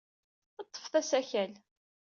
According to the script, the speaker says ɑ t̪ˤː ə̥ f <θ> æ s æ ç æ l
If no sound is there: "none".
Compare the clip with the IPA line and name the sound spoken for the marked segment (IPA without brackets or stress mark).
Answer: θ